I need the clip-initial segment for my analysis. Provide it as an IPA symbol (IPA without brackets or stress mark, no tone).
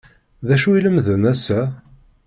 ð